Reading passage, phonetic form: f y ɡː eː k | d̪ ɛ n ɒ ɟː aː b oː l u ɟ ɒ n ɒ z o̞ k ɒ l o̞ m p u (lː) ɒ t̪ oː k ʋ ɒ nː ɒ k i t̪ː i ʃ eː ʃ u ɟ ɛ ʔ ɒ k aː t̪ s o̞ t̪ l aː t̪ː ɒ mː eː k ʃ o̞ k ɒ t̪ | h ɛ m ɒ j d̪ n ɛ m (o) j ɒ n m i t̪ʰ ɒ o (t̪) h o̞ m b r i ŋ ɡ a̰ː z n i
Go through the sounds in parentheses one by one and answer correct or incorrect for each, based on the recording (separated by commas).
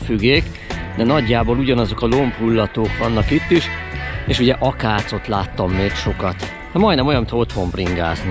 correct, correct, correct